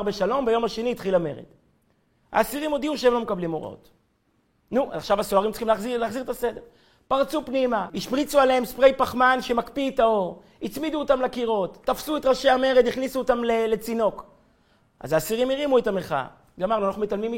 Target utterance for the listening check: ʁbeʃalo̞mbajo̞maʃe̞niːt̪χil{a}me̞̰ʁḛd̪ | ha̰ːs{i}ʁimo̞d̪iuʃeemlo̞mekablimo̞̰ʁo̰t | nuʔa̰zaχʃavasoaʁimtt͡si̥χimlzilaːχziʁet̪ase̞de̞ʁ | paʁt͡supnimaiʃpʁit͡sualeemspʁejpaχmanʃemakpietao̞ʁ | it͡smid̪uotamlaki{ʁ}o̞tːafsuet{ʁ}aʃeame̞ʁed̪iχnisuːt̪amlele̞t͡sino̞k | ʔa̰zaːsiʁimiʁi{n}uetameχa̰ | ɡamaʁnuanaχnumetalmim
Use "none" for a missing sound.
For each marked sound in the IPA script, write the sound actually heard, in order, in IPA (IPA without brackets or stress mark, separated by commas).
a, i, ʁ, ʁ, m